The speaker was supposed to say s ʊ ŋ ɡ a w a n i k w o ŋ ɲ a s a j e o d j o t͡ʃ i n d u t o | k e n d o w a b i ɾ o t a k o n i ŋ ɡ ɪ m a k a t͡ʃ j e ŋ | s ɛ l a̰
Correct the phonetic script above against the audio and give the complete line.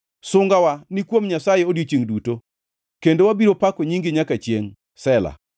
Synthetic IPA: s ʊ ŋ ɡ a w a n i k w o m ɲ a s a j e o d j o t͡ʃ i ŋ d u t o | k e n d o w a b i ɾ o p a k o ɲ i ŋ ɡ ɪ ɲ a k a t͡ʃ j e ŋ | s ɛ l a̰